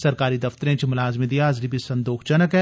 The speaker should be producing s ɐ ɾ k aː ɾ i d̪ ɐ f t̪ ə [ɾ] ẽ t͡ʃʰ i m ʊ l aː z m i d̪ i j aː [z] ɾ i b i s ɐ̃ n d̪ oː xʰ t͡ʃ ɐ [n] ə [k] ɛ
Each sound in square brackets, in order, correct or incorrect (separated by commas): correct, correct, correct, correct